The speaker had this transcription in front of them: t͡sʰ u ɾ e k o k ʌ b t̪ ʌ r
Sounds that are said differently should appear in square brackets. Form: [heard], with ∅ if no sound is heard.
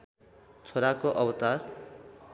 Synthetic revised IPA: t͡sʰ [o] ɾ [a] k o [ʔ] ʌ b t̪ [a] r